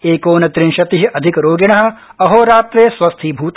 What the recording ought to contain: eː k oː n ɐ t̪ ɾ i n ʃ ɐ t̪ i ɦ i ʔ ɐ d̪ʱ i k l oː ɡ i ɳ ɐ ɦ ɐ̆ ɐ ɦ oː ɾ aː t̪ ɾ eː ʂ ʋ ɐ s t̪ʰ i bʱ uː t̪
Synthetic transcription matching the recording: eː k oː n ɐ t̪ ɾ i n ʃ ɐ t̪ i ɦ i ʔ ɐ d̪ʱ i k ɾ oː ɡ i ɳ ɐ ɦ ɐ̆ ɐ ɦ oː ɾ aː t̪ ɾ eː s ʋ ɐ s t̪ʰ i bʱ uː t̪